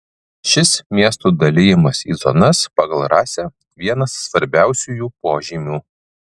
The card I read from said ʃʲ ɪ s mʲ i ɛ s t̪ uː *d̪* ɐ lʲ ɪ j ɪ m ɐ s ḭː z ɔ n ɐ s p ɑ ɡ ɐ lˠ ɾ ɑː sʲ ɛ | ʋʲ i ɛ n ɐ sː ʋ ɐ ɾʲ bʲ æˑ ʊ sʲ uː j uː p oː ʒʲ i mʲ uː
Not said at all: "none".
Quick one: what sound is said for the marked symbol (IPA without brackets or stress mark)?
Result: d̪